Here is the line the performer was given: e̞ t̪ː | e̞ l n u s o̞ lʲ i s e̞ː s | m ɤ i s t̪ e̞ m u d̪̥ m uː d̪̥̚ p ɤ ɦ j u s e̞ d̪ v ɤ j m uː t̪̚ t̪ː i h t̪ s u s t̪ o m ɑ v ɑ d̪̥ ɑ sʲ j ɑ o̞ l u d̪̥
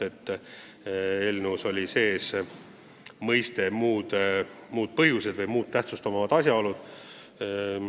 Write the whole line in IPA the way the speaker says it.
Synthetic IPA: e̞ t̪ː | e̞ l n u s o̞ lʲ i s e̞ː s | m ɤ j s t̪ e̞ m uː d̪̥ m uː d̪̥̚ p ɤ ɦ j u s e̞ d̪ v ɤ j m uː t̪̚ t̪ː æ h t̪ s u s t̪ o m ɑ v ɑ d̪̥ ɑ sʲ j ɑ o̞ l u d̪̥